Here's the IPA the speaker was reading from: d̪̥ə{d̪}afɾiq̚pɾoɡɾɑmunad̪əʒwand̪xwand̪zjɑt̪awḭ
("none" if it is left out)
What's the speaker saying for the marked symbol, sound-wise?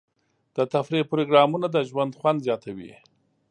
t̪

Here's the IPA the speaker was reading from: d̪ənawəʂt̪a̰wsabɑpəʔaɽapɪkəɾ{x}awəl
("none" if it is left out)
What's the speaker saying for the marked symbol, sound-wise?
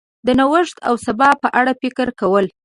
k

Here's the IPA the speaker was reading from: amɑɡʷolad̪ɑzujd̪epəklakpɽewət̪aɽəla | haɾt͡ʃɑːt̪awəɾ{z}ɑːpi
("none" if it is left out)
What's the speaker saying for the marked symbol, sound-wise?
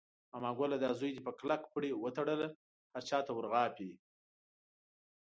ɣ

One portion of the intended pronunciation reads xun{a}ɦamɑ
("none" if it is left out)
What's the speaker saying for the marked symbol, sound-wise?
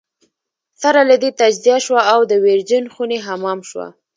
e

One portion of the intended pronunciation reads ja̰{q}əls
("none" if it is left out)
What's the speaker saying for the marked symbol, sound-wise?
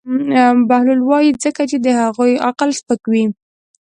q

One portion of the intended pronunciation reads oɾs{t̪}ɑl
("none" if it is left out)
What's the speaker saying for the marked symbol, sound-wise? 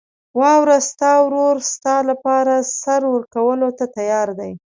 t̪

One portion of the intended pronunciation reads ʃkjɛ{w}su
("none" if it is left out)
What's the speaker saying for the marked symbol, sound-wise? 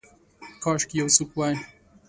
w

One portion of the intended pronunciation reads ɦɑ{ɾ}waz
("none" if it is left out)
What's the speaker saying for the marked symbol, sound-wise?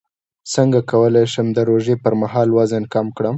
l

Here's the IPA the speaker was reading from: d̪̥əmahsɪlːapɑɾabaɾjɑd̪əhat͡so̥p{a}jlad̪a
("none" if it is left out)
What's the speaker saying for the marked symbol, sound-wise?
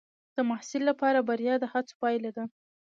ɑ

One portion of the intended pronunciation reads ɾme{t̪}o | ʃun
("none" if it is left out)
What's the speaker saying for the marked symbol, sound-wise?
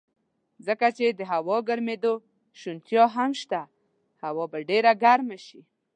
d̪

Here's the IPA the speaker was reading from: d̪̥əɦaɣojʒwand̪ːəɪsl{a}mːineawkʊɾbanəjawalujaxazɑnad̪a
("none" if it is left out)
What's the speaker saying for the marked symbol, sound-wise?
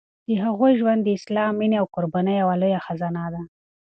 ɑ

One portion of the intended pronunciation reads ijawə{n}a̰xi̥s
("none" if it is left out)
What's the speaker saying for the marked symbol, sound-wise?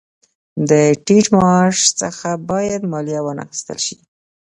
n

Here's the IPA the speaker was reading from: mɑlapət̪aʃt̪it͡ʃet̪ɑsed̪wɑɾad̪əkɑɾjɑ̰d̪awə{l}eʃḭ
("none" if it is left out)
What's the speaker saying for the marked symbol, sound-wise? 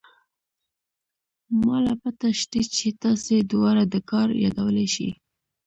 l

